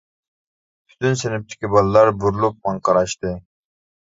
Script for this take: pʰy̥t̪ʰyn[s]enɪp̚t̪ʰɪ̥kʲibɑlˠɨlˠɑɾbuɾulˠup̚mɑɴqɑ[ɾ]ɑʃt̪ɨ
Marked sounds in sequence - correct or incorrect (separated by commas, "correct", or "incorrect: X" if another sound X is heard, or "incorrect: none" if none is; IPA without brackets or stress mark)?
correct, correct